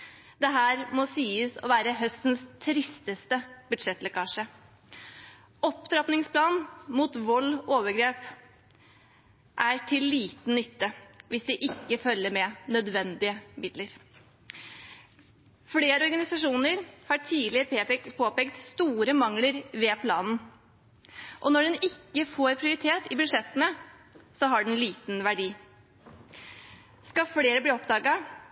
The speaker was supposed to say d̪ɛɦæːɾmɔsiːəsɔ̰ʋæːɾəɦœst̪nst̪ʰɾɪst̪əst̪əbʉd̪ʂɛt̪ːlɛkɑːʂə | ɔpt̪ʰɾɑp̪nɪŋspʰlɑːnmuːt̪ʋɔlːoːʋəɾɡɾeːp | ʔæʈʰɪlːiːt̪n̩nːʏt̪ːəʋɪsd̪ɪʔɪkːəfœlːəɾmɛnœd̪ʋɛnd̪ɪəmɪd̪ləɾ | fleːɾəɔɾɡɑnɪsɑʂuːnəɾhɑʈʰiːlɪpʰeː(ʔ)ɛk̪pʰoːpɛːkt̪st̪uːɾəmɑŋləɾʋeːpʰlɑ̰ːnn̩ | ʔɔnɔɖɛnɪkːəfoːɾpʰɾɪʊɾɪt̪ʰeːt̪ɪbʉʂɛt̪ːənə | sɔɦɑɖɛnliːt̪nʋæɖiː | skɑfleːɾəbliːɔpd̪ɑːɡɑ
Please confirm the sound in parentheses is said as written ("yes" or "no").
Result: no